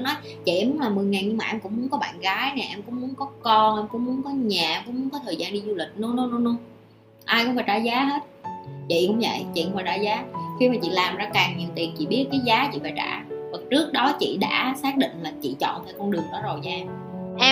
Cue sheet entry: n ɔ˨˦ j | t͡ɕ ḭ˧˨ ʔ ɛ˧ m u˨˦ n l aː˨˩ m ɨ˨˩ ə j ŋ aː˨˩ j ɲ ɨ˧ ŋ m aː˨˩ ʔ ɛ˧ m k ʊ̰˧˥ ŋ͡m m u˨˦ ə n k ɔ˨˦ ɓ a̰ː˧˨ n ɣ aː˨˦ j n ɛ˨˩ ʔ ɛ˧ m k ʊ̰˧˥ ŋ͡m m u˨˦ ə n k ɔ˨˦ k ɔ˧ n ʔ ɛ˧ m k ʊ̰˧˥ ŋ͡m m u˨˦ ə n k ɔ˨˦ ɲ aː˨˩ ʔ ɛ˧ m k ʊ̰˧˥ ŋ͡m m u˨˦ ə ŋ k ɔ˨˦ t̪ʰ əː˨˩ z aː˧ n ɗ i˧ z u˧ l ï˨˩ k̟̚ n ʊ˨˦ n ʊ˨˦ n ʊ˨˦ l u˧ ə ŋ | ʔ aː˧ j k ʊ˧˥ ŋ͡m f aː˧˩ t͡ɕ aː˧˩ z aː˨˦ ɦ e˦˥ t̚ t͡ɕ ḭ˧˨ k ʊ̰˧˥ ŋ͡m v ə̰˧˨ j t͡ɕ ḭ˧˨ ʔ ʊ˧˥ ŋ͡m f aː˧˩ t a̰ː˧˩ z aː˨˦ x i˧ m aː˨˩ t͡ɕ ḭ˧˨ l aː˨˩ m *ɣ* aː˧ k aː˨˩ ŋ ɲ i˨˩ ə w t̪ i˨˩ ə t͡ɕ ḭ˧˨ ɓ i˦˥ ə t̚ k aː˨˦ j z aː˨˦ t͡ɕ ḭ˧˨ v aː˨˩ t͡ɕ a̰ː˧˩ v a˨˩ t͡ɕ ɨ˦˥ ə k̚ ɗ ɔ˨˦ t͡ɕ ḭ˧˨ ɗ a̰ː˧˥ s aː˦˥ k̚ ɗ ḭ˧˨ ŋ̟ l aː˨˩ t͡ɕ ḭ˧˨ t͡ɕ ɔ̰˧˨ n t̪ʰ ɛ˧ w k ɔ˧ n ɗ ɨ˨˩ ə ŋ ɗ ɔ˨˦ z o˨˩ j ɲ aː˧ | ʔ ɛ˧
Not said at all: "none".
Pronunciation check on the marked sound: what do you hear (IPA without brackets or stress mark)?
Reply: z